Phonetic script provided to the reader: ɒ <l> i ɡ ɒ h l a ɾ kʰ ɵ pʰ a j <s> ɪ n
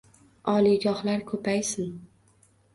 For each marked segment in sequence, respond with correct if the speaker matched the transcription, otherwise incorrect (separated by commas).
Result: correct, correct